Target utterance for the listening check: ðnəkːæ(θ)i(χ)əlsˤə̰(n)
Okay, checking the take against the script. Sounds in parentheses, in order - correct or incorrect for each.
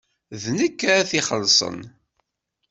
correct, correct, correct

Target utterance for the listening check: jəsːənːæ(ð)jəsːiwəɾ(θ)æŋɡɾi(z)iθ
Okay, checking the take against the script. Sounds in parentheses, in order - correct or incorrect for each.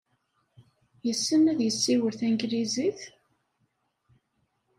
correct, correct, correct

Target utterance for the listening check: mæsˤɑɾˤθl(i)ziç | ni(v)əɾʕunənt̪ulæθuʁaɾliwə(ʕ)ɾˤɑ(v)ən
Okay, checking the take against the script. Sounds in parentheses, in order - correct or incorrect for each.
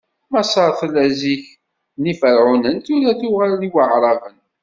incorrect, incorrect, correct, correct

